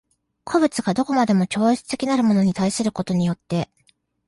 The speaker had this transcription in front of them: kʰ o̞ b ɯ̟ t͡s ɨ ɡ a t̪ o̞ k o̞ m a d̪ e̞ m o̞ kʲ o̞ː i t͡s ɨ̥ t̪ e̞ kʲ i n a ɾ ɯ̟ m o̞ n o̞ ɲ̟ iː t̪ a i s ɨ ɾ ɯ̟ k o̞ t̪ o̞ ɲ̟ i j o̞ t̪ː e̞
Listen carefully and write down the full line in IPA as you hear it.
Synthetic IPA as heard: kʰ o̞ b ɯ̟ t͡s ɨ ɡ a d̪ o̞ k o̞ m a d̪ e̞ m o̞ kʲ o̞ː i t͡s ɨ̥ t̪ e̞ kʲ i n a ɾ ɯ̟ m o̞ n o̞ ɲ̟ i t̪ a i s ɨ ɾ ɯ̟ k o̞ t̪ o̞ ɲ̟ i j o̞ t̪ː e̞